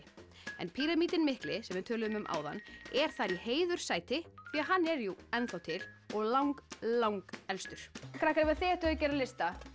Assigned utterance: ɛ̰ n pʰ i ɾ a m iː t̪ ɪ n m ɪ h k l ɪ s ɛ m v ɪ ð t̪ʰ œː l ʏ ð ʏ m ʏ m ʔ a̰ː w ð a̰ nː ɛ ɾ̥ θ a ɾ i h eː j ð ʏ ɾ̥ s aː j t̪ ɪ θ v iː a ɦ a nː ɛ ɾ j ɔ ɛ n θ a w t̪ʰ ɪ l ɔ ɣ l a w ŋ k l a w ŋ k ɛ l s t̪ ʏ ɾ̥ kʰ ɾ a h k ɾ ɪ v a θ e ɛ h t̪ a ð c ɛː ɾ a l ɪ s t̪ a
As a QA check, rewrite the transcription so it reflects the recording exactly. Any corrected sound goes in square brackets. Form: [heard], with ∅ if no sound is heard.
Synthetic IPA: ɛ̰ n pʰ i ɾ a m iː t̪ ɪ n m ɪ h k l ɪ s ɛ m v ɪ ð t̪ʰ œː l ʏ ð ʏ m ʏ m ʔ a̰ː w ð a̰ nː ɛ ɾ̥ θ a ɾ i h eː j ð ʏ ɾ̥ s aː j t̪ ɪ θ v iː a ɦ a nː ɛ ɾ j [u] ɛ n θ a w t̪ʰ ɪ l ɔ ɣ l a w ŋ k l a w ŋ k ɛ l s t̪ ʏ ɾ̥ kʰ ɾ a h k ɾ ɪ v a θ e ɛ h t̪ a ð c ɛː ɾ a l ɪ s t̪ a